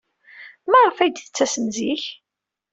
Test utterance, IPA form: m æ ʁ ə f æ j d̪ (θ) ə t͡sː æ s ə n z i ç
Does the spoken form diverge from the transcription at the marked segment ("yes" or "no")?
no